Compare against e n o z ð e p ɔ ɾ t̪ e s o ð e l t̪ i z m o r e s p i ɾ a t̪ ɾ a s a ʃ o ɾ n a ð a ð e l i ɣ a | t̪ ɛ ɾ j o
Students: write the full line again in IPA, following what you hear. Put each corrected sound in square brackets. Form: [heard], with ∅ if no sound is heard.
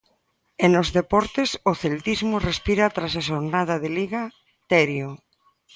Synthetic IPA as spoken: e n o z ð e p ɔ ɾ t̪ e s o [θ] e l t̪ i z m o r e s p i ɾ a t̪ ɾ a s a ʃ o ɾ n a ð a ð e l i ɣ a | t̪ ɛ ɾ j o